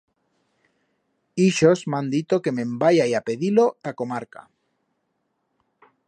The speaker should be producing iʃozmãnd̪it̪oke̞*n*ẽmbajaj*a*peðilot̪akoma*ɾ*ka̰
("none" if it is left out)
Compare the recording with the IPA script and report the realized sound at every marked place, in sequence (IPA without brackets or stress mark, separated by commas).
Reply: m, a, ɾ